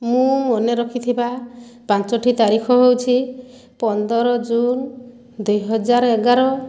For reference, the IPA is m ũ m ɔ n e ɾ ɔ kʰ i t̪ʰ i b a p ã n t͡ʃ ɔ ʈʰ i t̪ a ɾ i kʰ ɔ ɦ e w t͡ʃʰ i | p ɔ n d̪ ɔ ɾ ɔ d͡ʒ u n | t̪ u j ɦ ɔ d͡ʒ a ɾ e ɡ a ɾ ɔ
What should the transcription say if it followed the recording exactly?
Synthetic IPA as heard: m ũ m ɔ n e ɾ ɔ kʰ i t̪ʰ i b a p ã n t͡ʃ ɔ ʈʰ i t̪ a ɾ i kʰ ɔ ɦ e w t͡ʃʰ i | p ɔ n d̪ ɔ ɾ ɔ d͡ʒ u n | d̪ u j ɦ ɔ d͡ʒ a ɾ e ɡ a ɾ ɔ

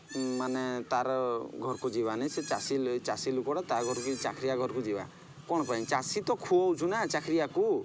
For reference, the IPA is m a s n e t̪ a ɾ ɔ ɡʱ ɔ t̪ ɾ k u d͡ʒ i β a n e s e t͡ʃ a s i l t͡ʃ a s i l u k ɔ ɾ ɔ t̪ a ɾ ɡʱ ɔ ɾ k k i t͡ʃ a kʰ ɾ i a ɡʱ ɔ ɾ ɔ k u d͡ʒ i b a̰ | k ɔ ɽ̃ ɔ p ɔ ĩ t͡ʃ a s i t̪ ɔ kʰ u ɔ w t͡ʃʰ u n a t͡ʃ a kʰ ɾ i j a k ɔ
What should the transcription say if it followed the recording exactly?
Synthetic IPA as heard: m a n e t̪ a ɾ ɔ ɡʱ ɔ ɾ k u d͡ʒ i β a n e s e t͡ʃ a s i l t͡ʃ a s i l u k ɔ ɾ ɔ t̪ a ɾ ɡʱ ɔ ɾ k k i t͡ʃ a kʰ ɾ i a ɡʱ ɔ ɾ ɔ k u d͡ʒ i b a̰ | k ɔ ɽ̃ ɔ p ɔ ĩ t͡ʃ a s i t̪ ɔ kʰ u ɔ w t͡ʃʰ u n a t͡ʃ a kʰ ɾ i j a k u

